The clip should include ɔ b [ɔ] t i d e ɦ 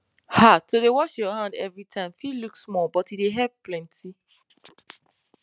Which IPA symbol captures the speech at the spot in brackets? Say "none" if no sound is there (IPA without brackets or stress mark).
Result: ɔ